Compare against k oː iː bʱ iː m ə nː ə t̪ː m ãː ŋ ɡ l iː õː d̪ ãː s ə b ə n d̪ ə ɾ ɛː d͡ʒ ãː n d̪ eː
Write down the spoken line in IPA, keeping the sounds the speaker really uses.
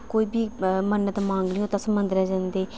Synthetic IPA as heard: k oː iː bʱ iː m ə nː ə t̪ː m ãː ŋ ɡ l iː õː t̪ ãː s ə m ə n d̪ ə ɾ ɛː d͡ʒ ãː n d̪ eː

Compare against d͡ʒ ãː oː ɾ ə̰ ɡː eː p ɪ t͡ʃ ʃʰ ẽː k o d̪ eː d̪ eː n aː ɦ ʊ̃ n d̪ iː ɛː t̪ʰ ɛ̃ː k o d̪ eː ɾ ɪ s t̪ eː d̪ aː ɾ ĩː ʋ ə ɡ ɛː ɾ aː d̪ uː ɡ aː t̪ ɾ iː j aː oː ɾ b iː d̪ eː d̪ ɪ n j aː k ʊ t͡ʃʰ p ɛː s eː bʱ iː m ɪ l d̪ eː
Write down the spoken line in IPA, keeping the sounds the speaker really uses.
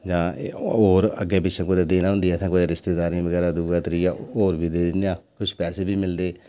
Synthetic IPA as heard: d͡ʒ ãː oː ɾ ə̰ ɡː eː p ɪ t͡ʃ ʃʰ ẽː k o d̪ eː d̪ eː n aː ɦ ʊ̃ n d̪ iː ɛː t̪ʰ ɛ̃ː k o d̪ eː ɾ ɪ s t̪ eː d̪ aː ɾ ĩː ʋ ə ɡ ɛː ɾ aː d̪ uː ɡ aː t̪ ɾ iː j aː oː ɾ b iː d̪ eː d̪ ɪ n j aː k ʊ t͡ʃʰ p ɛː s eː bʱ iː m ɪ l d̪ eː

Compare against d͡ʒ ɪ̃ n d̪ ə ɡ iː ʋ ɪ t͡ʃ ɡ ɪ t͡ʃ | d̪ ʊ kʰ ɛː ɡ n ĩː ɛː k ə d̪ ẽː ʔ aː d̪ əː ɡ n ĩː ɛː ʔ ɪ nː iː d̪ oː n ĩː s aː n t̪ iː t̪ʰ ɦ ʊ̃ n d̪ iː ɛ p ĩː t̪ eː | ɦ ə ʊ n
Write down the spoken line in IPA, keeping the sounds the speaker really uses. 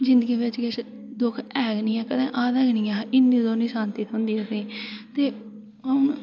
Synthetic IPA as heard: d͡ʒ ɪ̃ n d̪ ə ɡ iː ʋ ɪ t͡ʃ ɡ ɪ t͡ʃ | d̪ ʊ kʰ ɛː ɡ n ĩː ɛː k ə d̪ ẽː ʔ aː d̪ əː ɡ n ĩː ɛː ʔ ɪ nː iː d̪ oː n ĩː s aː n t̪ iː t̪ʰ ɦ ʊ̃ n d̪ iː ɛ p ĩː t̪ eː | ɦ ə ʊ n

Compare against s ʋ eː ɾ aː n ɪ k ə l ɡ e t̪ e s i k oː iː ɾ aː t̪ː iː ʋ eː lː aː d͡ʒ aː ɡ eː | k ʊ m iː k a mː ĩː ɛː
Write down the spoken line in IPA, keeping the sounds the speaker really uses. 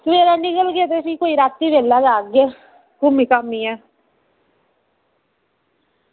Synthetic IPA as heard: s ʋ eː ɾ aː n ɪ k ə l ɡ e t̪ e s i k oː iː ɾ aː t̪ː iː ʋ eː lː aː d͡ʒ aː ɡ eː | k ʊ m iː k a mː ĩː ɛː

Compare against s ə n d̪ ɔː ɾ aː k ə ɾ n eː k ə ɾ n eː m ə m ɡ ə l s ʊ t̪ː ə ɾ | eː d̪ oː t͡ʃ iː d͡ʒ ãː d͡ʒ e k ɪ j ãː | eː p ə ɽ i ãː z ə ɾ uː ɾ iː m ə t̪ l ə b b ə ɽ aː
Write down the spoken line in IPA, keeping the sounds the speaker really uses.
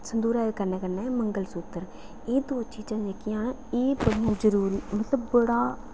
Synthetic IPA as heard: s ə n d̪ uː ɾ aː k ə ɾ n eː k ə ɾ n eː m ə ŋ ɡ ə l s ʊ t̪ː ə ɾ | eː d̪ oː t͡ʃ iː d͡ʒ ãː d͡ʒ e k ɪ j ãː | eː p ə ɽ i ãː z ə ɾ uː ɾ iː m ə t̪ l ə b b ə ɽ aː

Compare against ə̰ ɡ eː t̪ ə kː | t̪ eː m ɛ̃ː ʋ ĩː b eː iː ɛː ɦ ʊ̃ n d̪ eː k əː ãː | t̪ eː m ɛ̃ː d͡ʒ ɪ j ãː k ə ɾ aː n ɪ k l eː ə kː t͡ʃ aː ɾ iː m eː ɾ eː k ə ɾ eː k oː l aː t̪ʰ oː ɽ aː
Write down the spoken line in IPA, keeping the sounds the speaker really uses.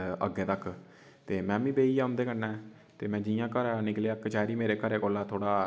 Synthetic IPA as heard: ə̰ ɡ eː t̪ ə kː | t̪ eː m ɛ̃ː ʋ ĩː b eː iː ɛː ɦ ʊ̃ n d̪ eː k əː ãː | t̪ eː m ɛ̃ː d͡ʒ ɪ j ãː k ə ɾ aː n ɪ k l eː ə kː t͡ʃ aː ɾ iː m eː ɾ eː k ə ɾ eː k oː l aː t̪ʰ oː ɽ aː

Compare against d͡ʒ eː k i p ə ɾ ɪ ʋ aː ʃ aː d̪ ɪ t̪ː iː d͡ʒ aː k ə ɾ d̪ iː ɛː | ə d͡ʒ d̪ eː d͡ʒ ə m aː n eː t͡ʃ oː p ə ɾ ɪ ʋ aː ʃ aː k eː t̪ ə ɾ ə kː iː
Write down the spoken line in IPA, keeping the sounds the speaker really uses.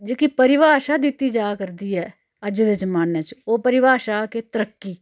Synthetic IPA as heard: d͡ʒ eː k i p ə ɾ ɪ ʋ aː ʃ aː d̪ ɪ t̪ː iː d͡ʒ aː k ə ɾ d̪ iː ɛː | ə d͡ʒ d̪ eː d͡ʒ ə m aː n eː t͡ʃ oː p ə ɾ ɪ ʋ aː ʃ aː k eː t̪ ə ɾ ə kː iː

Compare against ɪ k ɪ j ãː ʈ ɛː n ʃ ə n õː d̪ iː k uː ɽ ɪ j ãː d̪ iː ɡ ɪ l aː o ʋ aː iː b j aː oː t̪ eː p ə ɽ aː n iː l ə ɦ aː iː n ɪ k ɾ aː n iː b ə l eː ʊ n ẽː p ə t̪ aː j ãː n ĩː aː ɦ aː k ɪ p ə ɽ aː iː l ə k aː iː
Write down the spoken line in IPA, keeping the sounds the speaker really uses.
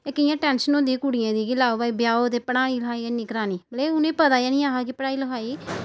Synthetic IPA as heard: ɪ k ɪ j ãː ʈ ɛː n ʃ ə n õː d̪ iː k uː ɽ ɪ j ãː d̪ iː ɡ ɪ l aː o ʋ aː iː b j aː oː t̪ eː p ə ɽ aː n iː l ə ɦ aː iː n ɪ k ɾ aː n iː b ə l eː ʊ n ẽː p ə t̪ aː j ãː n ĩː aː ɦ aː k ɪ p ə ɽ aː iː l ə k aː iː

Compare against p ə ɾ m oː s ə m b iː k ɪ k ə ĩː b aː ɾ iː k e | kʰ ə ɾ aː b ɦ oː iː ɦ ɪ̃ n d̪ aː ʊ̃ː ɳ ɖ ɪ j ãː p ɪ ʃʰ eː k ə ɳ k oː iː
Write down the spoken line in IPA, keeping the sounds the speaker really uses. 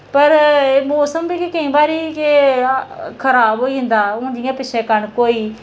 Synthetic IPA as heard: p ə ɾ m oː s ə m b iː k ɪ k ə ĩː b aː ɾ iː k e | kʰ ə ɾ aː b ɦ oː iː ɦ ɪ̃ n d̪ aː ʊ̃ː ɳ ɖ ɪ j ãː p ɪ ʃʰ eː k ə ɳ k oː iː

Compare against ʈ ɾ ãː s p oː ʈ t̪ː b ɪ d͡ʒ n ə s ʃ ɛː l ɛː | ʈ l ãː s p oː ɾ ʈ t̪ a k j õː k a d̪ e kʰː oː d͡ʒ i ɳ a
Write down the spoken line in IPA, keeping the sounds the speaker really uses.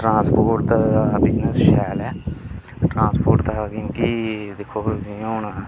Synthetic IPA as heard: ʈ ɾ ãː s p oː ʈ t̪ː b ɪ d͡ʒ n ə s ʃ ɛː l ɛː | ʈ ɾ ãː s p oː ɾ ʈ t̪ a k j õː k i d̪ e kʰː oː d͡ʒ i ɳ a

